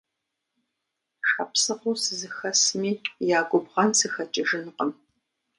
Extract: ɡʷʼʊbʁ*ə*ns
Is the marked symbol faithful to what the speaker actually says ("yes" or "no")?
no